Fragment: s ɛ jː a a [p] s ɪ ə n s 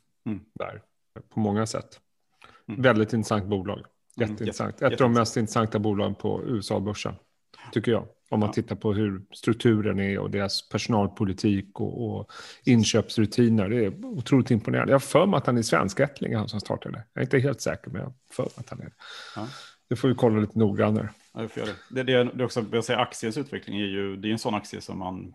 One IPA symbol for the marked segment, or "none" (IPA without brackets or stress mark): k